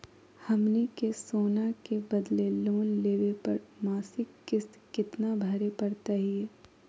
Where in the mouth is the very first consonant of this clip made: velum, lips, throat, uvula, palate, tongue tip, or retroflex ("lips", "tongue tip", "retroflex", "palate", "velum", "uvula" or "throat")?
throat